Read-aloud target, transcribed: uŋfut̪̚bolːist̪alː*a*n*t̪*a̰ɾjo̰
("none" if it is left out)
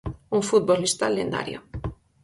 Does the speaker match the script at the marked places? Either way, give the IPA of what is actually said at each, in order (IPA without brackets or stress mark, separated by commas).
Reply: e, d̪